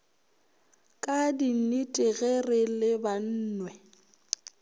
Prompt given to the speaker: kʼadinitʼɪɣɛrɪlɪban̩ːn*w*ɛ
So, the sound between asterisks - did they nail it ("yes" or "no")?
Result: yes